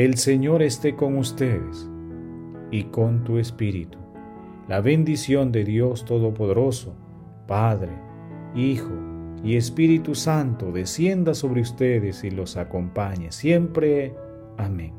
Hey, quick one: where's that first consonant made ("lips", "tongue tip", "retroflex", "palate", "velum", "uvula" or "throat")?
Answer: tongue tip